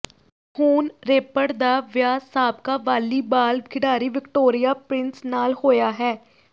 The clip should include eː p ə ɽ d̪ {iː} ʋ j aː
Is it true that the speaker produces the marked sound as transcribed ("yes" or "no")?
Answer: no